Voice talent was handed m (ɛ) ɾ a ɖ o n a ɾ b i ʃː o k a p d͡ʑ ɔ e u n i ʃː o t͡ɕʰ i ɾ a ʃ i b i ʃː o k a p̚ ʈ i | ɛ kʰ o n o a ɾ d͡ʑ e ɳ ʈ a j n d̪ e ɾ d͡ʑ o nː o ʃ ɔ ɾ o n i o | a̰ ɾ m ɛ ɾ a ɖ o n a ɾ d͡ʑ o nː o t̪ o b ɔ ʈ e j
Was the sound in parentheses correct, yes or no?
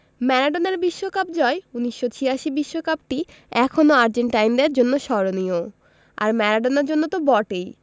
yes